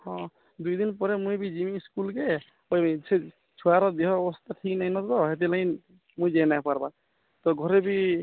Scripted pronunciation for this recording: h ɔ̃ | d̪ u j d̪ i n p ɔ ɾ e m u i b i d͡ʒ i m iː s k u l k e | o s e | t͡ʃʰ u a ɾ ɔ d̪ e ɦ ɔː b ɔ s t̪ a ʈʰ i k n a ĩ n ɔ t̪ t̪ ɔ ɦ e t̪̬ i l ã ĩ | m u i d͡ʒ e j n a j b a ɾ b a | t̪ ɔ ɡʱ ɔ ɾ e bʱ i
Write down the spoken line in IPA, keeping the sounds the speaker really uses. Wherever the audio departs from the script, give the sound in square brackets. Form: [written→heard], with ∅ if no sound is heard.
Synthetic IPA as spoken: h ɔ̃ | d̪ u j d̪ i n p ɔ ɾ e m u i b i d͡ʒ i m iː s k u l k e | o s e | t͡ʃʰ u a ɾ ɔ d̪ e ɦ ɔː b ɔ s t̪ a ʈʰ i k n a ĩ n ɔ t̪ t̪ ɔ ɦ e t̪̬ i l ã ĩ | m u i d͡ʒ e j n a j [b→p] a ɾ b a | t̪ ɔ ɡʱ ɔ ɾ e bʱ i